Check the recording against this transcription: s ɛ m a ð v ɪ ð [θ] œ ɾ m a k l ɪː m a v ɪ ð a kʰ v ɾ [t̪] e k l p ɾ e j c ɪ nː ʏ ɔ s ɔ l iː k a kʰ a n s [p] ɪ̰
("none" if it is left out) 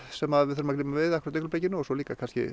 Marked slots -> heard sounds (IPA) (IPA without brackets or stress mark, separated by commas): θ, t̪, c